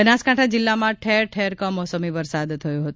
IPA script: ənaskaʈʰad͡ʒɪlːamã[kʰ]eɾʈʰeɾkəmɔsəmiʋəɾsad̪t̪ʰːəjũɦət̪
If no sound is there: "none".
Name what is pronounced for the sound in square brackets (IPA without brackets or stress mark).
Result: ʈʰ